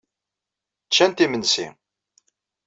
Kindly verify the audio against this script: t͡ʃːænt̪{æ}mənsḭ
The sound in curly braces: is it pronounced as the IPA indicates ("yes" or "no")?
no